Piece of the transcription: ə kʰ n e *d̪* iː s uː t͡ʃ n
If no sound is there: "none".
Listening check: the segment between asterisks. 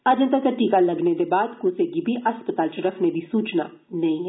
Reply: d̪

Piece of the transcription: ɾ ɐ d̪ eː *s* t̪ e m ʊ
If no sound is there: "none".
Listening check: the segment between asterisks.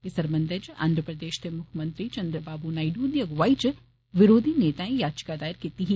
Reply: ʃ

